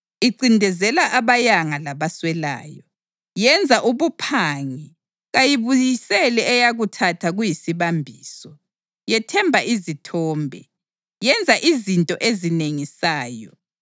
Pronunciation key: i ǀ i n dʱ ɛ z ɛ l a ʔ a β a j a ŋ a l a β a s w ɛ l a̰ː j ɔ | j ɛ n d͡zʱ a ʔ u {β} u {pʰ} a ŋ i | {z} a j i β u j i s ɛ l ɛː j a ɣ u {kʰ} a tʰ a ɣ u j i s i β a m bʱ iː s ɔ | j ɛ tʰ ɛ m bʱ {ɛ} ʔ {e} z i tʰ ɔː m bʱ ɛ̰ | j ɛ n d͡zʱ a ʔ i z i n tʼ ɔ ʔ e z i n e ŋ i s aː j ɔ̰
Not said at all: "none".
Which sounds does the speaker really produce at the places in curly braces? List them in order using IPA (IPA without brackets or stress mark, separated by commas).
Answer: β, pʰ, ɣ, tʰ, a, i